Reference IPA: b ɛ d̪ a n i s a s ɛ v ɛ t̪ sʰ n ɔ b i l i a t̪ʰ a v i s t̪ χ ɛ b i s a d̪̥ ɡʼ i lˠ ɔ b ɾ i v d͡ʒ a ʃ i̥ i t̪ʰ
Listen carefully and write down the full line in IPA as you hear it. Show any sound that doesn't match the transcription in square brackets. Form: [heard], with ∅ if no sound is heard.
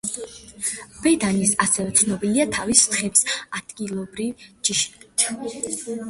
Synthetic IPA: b ɛ d̪ a n i s a s ɛ v ɛ t̪ sʰ n ɔ b i l i a t̪ʰ a v i s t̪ χ ɛ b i s a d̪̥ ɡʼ i lˠ ɔ b ɾ i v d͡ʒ [i] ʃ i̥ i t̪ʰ